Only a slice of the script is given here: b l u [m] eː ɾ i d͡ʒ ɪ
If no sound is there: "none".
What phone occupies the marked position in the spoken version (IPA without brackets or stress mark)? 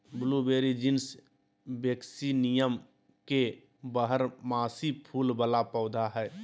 b